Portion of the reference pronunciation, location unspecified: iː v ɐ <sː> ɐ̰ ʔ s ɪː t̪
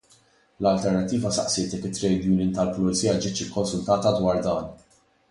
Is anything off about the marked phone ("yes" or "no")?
yes